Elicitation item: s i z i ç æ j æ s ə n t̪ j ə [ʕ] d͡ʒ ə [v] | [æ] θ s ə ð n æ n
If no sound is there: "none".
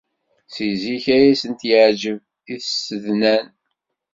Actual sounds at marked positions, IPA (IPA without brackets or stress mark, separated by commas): ʕ, v, i